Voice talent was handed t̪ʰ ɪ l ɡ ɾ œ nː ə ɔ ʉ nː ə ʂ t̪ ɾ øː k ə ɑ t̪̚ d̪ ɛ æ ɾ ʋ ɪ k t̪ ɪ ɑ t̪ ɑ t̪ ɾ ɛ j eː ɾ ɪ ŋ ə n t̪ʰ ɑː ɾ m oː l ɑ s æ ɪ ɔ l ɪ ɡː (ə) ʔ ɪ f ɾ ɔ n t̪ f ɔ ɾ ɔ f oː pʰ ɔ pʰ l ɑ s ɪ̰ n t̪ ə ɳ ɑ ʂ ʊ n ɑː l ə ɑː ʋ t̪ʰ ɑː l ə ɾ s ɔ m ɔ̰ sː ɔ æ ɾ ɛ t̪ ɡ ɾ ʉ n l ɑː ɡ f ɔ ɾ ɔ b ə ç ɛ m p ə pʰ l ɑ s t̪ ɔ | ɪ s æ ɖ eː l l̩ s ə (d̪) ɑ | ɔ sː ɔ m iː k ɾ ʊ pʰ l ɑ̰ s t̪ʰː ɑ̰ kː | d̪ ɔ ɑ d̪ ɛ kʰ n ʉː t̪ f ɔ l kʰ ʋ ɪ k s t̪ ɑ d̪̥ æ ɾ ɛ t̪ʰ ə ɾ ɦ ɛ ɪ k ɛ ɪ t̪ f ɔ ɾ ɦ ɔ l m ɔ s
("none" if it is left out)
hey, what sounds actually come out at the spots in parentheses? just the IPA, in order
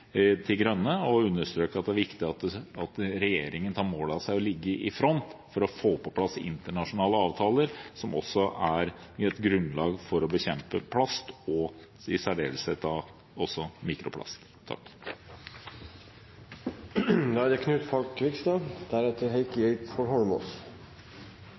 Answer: ə, t̪

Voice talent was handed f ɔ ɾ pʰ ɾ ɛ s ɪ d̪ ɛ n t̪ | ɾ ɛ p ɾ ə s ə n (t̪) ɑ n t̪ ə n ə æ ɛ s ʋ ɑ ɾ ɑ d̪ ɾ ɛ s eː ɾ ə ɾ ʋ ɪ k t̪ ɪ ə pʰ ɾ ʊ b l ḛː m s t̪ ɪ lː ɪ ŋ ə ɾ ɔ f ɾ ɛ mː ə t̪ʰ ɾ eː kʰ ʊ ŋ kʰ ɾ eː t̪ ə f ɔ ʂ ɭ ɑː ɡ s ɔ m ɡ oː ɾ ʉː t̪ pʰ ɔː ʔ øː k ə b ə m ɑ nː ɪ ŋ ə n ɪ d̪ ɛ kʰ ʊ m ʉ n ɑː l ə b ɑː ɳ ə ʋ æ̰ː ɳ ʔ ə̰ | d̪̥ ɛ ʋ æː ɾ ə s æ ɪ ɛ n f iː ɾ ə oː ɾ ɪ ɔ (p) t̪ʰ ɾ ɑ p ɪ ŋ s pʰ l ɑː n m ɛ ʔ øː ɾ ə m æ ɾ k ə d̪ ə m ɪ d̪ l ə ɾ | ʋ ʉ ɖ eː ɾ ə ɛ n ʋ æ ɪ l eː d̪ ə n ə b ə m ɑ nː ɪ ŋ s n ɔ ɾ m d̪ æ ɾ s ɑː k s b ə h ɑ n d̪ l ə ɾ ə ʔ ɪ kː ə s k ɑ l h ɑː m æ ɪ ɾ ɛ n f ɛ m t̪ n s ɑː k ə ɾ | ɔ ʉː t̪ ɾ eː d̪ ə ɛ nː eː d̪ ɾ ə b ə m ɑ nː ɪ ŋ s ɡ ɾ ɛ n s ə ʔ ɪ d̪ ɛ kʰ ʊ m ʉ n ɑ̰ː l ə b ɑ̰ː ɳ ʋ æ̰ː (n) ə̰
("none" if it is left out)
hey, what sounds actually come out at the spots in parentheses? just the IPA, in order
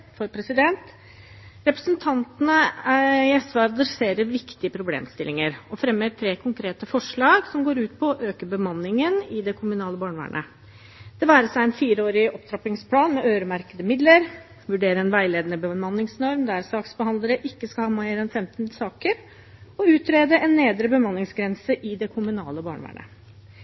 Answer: t̪ʰ, p, ɳ

